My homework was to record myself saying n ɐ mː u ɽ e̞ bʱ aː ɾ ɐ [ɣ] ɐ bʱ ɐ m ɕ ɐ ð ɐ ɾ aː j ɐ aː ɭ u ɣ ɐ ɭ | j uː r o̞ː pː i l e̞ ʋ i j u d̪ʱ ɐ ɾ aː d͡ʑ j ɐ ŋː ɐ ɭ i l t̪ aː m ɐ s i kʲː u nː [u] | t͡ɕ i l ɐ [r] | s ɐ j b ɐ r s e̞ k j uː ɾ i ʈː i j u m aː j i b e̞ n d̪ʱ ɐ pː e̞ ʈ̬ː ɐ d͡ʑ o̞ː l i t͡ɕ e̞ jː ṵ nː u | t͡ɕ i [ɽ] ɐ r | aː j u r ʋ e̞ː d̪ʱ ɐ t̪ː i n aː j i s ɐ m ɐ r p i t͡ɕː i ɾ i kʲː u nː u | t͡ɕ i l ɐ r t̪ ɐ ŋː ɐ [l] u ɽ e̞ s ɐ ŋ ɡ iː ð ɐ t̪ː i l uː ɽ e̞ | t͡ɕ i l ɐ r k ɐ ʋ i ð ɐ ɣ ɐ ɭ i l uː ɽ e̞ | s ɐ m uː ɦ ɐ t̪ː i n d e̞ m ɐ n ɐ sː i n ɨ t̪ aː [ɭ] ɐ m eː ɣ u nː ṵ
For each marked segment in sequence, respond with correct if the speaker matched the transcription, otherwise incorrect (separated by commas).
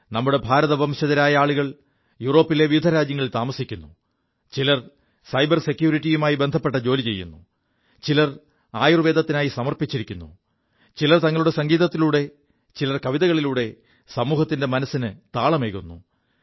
incorrect, correct, correct, incorrect, incorrect, correct